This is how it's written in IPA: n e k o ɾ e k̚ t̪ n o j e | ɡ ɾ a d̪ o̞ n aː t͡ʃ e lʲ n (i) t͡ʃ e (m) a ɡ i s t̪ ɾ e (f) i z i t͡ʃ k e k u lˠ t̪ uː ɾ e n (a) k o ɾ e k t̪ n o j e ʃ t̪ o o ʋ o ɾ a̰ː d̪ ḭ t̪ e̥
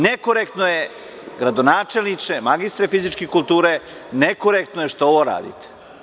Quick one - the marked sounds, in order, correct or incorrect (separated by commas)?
correct, correct, correct, incorrect